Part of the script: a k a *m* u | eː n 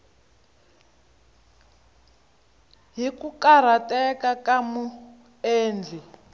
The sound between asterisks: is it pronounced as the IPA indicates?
yes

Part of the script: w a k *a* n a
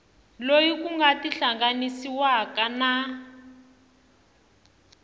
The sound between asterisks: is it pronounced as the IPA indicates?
yes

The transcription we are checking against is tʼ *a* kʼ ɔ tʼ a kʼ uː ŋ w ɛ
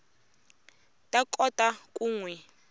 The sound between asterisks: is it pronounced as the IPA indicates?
yes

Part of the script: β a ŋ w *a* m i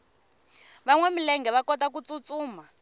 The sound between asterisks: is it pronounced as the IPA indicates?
no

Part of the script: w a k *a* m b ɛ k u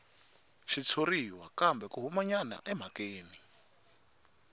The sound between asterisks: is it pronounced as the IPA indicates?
yes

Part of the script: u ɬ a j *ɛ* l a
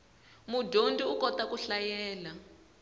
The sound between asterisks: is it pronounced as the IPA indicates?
no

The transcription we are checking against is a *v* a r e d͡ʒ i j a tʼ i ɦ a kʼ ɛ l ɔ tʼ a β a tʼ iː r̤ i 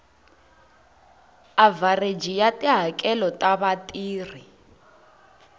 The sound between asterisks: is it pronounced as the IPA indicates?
yes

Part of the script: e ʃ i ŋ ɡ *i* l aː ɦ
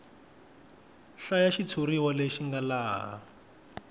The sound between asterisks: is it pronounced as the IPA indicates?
no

